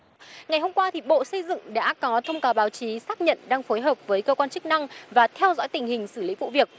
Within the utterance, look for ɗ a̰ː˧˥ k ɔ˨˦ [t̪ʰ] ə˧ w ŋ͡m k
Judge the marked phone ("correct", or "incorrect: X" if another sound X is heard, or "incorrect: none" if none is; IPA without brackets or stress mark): correct